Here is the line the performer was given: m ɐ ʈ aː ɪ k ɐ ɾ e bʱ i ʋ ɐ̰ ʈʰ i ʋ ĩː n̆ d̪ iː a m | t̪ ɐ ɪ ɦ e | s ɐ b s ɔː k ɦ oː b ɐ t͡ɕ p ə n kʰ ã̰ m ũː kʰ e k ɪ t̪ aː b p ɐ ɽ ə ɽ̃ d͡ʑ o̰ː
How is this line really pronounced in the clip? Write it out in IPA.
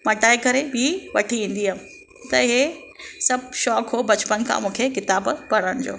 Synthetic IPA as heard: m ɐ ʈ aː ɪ k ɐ ɾ e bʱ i ʋ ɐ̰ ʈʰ i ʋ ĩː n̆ d̪ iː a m | t̪ ɐ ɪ ɦ e | s ɐ b ʃ ɔː k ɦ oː b ɐ t͡ɕ p ə n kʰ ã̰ m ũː kʰ e k ɪ t̪ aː b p ɐ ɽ ə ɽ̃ d͡ʑ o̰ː